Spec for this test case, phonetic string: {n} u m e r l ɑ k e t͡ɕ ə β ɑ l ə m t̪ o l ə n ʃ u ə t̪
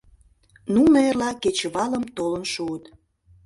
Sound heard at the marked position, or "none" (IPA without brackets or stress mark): n